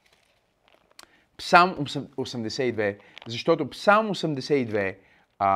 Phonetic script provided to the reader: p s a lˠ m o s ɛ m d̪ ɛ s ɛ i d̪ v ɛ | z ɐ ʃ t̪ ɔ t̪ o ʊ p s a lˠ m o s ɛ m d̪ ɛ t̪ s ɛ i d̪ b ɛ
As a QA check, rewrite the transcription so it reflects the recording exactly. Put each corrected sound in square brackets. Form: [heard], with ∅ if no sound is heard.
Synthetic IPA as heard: p s a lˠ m o s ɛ m d̪ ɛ s ɛ i d̪ v ɛ | z ɐ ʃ t̪ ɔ t̪ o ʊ p s a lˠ m o s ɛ m d̪ ɛ [∅] s ɛ i d̪ [v] ɛ